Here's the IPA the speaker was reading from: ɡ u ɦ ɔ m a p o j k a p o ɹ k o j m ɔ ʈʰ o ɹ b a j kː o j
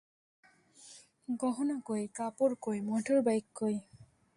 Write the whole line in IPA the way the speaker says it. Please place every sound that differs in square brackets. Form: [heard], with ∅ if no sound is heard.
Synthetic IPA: ɡ [ɔ] ɦ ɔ [n] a [k] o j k a p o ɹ k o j m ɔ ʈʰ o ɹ b a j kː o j